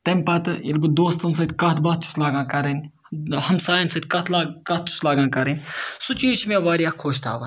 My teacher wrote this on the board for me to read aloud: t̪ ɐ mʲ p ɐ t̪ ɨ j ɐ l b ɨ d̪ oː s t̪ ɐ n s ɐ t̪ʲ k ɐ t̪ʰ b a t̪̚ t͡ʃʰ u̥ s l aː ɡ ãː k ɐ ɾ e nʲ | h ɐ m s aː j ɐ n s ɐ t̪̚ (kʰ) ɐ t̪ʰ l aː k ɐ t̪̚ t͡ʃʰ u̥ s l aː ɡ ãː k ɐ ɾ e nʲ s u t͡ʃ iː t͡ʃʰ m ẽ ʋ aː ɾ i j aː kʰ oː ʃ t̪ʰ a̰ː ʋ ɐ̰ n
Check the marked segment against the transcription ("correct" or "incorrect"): incorrect